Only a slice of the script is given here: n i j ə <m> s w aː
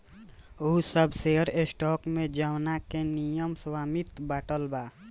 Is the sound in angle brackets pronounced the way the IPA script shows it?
yes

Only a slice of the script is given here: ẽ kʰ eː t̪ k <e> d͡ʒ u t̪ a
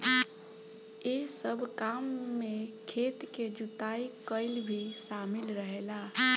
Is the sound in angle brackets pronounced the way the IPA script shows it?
yes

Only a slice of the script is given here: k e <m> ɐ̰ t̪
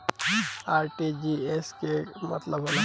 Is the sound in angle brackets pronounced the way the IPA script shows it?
yes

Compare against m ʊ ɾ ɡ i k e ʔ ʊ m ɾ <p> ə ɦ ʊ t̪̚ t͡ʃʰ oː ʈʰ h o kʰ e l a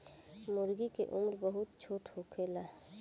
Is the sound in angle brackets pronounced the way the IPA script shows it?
no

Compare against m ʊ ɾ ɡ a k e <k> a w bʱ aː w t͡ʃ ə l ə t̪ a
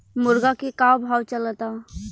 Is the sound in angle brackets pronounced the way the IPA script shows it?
yes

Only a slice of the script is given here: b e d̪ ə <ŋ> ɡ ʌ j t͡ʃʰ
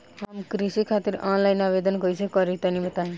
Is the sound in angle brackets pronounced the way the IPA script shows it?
no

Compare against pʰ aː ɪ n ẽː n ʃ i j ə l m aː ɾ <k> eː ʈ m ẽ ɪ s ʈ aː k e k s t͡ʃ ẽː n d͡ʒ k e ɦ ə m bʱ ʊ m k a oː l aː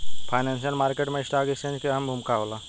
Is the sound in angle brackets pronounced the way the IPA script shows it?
yes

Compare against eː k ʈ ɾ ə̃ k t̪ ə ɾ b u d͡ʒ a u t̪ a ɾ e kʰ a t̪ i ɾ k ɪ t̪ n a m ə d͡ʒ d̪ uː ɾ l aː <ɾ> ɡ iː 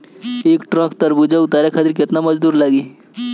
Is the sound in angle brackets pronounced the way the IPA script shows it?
no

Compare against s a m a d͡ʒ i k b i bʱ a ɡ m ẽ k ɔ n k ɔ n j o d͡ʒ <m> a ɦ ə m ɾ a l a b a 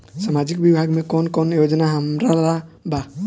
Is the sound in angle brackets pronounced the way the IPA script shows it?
no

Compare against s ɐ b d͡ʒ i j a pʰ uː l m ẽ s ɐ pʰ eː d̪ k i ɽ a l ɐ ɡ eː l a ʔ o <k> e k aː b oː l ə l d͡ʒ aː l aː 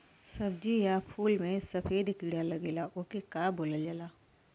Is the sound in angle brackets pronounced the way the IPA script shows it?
yes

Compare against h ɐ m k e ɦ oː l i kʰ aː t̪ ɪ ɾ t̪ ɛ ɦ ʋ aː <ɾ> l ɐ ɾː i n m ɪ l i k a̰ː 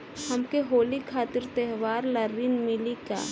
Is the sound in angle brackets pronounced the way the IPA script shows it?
yes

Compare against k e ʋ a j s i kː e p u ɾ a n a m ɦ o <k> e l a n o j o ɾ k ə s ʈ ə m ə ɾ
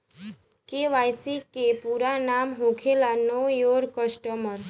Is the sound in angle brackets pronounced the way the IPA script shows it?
no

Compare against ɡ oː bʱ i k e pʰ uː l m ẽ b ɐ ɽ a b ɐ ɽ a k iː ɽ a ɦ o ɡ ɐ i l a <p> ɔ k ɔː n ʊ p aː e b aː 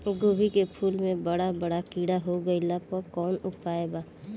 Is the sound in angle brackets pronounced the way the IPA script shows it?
yes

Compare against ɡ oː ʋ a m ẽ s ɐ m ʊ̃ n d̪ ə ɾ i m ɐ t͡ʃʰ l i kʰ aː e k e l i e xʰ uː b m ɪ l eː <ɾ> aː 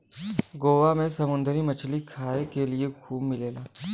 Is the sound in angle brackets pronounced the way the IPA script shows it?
no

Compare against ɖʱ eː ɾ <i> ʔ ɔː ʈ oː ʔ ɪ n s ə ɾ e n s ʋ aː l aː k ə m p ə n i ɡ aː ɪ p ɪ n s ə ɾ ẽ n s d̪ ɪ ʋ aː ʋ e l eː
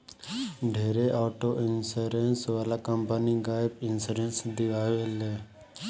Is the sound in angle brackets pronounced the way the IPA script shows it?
no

